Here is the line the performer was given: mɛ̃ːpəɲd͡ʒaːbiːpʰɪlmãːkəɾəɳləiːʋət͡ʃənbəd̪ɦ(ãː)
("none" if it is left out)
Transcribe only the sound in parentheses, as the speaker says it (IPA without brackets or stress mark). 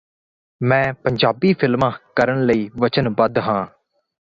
ãː